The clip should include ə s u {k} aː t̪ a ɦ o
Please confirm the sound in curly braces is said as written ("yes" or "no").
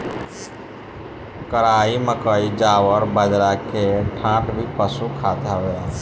no